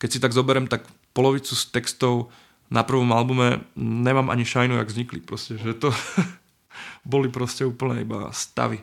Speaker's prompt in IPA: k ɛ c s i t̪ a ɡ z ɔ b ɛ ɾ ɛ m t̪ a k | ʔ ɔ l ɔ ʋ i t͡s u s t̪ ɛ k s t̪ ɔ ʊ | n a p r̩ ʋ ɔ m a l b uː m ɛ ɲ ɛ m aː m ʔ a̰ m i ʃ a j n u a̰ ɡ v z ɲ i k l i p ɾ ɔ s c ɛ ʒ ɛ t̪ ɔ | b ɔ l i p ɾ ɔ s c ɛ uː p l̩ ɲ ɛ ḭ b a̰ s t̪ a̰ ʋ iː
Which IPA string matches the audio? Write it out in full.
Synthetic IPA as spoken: k ɛ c s i t̪ a ɡ z ɔ b ɛ ɾ ɛ m t̪ a k | p ɔ l ɔ ʋ i t͡s u s t̪ ɛ k s t̪ ɔ ʊ | n a p r̩ ʋ ɔ m a l b u m ɛ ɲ ɛ m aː m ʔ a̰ ɲ i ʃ a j n u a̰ ɡ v z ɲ i k l i p ɾ ɔ s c ɛ ʒ ɛ t̪ ɔ | b ɔ l i p ɾ ɔ s c ɛ uː p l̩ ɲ ɛ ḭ b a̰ s t̪ a̰ ʋ i